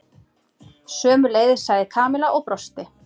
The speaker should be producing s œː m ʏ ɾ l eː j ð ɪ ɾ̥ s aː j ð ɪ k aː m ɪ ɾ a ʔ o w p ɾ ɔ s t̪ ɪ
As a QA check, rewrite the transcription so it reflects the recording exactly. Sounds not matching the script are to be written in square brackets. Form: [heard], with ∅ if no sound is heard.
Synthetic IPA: s œː m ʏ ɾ l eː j ð ɪ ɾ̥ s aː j ð ɪ [kʰ] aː m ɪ [l] a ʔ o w p ɾ ɔ s t̪ ɪ

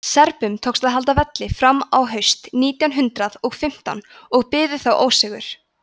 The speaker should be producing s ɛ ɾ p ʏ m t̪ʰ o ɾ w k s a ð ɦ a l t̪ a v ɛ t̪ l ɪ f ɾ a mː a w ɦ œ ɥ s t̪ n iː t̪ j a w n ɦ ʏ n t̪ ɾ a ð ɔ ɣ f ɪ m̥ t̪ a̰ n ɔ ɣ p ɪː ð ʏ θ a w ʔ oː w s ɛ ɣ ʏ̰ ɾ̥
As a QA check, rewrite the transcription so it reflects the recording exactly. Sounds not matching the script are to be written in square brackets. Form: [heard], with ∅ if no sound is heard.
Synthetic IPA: s ɛ ɾ p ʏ m t̪ʰ o [∅] w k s a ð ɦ a l t̪ a v ɛ t̪ l ɪ f ɾ a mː a w ɦ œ ɥ s t̪ n iː t̪ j a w n ɦ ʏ n t̪ ɾ a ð ɔ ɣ f ɪ m̥ t̪ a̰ n ɔ ɣ p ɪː ð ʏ θ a w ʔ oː w s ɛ ɣ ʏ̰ ɾ̥

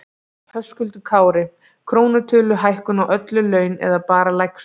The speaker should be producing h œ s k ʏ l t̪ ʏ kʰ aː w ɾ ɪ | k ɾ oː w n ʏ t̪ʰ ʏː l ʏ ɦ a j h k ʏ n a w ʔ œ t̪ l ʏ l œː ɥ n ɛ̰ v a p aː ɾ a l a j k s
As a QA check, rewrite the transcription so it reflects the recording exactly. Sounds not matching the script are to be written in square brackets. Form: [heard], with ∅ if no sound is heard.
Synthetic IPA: h œ s k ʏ l t̪ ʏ kʰ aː w ɾ ɪ | [kʰ] ɾ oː w n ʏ t̪ʰ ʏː l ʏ ɦ a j h k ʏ n a w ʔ œ t̪ l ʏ l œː ɥ n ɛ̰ [ð] a p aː ɾ a l a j k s

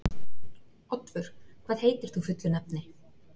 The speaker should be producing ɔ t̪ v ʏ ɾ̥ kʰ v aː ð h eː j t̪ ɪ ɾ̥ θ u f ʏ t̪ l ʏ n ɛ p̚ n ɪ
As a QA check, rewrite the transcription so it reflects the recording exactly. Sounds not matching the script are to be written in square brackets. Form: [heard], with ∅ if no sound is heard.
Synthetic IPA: ɔ t̪ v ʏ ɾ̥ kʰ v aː ð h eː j t̪ ɪ ɾ̥ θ u f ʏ t̪ l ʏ n ɛ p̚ n ɪ

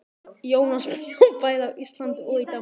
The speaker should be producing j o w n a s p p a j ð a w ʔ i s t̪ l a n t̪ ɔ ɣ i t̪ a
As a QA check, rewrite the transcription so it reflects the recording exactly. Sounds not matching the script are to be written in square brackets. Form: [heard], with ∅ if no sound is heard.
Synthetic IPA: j o w n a s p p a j ð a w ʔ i s t̪ l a n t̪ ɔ [ð] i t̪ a

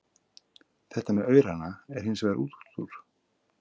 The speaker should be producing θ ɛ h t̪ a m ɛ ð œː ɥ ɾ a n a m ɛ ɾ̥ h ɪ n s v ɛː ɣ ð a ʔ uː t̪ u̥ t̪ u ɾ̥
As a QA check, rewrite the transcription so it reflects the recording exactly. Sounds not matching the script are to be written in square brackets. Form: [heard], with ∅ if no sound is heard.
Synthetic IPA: θ ɛ h t̪ a m ɛ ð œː ɥ ɾ a n a [∅] ɛ ɾ̥ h ɪ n s v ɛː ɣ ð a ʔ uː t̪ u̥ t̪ u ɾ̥

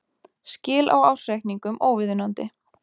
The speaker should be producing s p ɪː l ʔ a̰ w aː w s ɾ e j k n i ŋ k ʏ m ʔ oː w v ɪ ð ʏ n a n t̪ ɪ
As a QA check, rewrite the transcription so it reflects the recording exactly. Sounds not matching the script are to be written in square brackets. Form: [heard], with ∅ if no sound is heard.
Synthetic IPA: s [c] ɪː l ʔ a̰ w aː w s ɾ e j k n i ŋ k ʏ m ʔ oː w v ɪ ð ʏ n a n t̪ ɪ

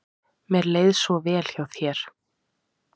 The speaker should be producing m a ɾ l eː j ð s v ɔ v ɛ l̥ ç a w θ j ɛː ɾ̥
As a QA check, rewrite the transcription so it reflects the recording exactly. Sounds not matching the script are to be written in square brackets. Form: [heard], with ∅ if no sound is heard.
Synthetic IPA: m [ɛ] ɾ l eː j ð s v ɔ v [ɛː] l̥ ç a w θ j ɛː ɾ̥

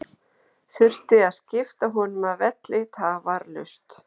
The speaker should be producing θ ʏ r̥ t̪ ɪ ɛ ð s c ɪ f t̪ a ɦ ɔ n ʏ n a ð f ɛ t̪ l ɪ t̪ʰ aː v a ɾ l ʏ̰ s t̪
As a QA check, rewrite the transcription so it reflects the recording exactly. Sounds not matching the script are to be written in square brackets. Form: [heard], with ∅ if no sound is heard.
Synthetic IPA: θ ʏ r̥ t̪ ɪ [a] ð s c ɪ f t̪ a ɦ ɔ n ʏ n a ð [v] ɛ t̪ l ɪ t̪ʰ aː v a ɾ l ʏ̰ s t̪

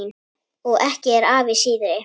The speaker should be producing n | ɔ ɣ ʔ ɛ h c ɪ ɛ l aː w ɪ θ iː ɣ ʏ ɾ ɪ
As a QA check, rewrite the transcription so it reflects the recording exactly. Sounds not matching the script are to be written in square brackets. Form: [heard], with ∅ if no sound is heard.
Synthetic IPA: n | ɔ ɣ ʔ ɛ h c ɪ ɛ [ɾ] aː [v] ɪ [s] iː [ð] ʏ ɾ ɪ

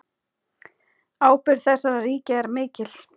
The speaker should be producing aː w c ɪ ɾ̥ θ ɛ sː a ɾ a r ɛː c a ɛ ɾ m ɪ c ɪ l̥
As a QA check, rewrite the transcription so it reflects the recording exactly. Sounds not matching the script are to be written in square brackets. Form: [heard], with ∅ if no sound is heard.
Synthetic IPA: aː w [p] ɪ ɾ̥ θ ɛ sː a ɾ a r [iː] c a ɛ ɾ m [ɪː] c ɪ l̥

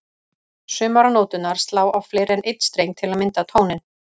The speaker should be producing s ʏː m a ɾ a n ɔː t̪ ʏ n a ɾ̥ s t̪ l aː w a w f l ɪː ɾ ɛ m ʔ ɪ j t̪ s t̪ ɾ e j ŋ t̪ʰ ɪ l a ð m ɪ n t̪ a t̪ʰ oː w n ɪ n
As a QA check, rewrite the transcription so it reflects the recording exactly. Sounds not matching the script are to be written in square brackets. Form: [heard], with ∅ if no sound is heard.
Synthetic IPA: s ʏː m a ɾ a n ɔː t̪ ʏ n a ɾ̥ s t̪ l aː w a w f l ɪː ɾ ɛ [n] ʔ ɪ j t̪ s t̪ ɾ e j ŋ t̪ʰ ɪ l a ð m ɪ n t̪ a t̪ʰ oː w n ɪ n

